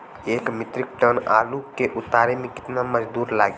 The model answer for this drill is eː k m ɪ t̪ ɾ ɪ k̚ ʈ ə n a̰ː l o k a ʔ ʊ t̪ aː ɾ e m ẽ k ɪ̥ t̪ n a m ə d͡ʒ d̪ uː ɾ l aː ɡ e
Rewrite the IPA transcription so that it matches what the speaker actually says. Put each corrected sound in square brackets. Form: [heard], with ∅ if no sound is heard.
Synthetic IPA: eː k m ɪ t̪ ɾ ɪ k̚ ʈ ə n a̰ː l [u] k [e] ʔ ʊ t̪ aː ɾ e m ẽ k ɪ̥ t̪ n a m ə d͡ʒ d̪ uː ɾ l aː ɡ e